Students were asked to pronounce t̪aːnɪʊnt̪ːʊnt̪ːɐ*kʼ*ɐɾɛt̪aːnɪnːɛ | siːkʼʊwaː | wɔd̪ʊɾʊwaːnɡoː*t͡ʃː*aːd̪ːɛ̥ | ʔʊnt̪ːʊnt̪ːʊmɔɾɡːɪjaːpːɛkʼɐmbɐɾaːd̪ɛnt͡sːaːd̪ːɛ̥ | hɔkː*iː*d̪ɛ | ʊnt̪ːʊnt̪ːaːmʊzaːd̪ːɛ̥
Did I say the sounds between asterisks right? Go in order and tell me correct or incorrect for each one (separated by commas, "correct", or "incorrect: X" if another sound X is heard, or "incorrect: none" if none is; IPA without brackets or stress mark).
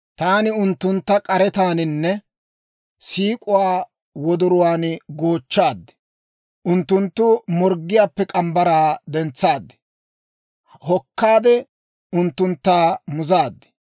correct, correct, incorrect: aː